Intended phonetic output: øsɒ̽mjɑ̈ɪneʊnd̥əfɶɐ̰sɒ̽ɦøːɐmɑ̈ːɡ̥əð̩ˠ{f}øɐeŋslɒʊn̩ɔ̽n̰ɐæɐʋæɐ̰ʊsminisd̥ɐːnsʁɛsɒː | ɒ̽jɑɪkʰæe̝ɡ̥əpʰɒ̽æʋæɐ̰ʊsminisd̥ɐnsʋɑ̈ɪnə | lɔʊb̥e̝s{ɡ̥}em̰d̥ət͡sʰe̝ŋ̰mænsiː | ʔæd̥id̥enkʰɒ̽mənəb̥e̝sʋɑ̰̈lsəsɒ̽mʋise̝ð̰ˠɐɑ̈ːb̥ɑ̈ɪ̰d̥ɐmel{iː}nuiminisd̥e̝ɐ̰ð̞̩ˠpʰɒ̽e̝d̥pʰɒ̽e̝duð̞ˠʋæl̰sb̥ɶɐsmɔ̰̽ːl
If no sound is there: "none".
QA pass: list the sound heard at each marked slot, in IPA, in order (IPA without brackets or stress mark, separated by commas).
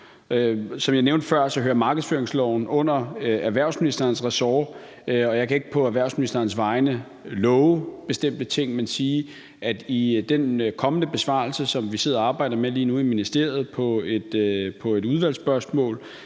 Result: f, d̥, iː